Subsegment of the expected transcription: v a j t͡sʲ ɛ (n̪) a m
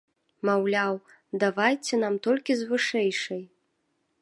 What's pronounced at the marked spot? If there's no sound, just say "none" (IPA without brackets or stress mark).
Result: n̪